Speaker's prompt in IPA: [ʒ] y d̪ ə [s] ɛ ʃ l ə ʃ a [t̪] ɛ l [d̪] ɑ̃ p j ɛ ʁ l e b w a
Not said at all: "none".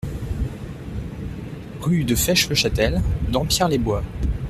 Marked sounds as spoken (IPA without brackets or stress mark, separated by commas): ʁ, f, t̪, d̪